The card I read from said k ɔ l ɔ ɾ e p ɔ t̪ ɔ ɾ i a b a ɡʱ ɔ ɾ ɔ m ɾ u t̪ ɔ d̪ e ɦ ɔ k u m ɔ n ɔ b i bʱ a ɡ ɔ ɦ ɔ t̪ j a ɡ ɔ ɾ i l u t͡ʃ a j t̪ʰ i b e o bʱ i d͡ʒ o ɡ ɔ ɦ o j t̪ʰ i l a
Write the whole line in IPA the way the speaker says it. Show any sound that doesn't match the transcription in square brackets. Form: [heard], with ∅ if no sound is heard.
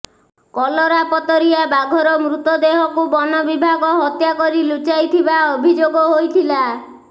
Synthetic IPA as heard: k ɔ l ɔ ɾ [a] p ɔ t̪ ɔ ɾ i a b a ɡʱ ɔ ɾ ɔ m ɾ u t̪ ɔ d̪ e ɦ ɔ k u [b] ɔ n ɔ b i bʱ a ɡ ɔ ɦ ɔ t̪ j a [k] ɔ ɾ i l u t͡ʃ a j t̪ʰ i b [a] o bʱ i d͡ʒ o ɡ ɔ ɦ o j t̪ʰ i l a